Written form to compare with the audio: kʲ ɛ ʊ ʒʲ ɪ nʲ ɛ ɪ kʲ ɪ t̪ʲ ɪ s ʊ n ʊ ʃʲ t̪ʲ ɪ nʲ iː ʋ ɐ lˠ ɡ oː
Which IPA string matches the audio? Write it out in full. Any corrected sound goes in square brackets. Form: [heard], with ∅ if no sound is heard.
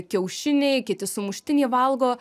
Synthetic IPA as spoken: kʲ ɛ ʊ [ʃʲ] ɪ nʲ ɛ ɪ kʲ ɪ t̪ʲ ɪ s ʊ [m] ʊ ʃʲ t̪ʲ ɪ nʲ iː ʋ ɐ lˠ ɡ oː